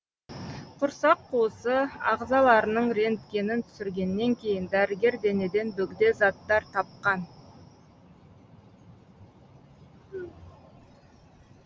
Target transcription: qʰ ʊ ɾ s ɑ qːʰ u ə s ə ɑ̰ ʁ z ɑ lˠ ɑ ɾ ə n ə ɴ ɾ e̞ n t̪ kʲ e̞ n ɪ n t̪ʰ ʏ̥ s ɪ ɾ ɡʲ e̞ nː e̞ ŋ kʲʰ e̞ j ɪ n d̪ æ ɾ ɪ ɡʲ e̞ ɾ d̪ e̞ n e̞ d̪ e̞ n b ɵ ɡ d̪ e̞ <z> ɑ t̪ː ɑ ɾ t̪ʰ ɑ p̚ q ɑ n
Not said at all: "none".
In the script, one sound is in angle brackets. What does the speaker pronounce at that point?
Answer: z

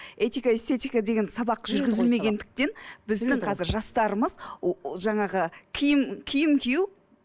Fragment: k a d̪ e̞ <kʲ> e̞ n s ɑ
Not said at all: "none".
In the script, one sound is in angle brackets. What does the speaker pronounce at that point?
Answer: ɡʲ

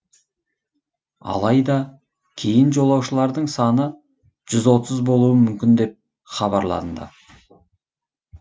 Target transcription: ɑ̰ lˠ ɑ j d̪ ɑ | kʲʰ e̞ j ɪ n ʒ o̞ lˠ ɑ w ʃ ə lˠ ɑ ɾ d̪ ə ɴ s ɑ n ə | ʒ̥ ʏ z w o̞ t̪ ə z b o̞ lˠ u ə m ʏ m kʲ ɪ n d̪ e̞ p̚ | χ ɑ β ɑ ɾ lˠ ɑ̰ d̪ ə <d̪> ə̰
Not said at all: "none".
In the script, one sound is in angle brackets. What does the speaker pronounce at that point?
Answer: d̪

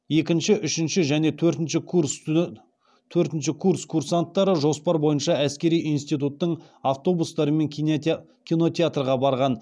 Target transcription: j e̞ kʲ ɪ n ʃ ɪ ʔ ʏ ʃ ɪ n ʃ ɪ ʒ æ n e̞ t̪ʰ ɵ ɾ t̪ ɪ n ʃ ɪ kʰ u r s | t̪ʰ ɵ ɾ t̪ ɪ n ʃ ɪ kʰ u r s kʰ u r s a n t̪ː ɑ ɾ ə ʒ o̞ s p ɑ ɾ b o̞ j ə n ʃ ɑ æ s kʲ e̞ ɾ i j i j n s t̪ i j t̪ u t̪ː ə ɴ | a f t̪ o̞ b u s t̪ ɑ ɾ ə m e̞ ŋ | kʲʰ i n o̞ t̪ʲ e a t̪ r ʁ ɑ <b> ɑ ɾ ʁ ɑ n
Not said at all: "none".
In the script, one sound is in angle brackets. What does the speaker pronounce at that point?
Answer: b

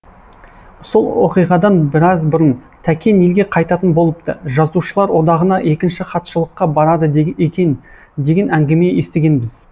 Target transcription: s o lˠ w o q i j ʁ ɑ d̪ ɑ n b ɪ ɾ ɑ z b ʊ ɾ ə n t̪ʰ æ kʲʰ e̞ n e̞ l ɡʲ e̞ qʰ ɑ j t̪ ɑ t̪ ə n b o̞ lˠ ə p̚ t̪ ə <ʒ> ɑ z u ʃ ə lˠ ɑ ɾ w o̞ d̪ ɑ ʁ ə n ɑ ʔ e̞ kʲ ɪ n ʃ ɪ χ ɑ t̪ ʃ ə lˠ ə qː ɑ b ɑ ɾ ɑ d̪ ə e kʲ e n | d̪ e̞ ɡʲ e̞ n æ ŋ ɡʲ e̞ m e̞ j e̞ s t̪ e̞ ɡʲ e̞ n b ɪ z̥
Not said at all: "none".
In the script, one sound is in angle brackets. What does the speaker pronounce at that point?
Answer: ʒ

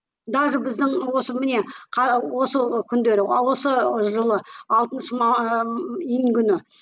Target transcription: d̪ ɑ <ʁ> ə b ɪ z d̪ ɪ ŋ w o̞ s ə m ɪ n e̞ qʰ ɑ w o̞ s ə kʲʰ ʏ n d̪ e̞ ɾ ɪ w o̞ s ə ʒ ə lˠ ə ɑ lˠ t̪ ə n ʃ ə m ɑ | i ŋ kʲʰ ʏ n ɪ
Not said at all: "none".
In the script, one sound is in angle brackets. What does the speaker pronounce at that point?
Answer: ʒ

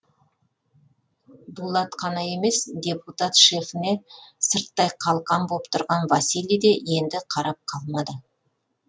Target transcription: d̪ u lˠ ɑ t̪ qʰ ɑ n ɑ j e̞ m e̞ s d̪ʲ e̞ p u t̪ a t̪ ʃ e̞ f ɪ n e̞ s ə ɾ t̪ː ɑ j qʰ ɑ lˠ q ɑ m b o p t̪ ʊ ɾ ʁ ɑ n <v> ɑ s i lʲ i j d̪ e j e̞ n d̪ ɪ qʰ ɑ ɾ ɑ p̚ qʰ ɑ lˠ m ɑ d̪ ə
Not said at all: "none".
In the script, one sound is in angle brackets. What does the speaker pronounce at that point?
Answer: v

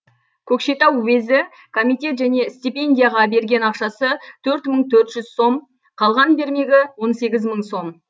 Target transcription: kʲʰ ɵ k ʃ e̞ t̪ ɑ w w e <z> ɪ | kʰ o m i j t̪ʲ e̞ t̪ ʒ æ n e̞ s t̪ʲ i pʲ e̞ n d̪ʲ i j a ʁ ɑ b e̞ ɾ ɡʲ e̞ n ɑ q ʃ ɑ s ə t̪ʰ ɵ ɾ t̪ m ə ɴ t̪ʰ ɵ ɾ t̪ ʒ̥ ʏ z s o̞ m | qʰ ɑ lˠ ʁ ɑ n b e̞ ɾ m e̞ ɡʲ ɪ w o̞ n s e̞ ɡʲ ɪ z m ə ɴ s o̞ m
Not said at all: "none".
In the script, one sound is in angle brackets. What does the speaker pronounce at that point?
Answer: z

